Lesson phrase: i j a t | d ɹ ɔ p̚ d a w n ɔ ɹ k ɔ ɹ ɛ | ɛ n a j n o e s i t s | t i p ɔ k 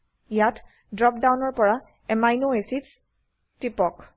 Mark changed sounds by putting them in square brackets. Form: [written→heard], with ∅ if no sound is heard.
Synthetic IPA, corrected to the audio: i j a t | d ɹ ɔ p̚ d a w n ɔ ɹ [k→p] ɔ ɹ [ɛ→a] | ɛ [n→m] a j n o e s i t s | t i p ɔ k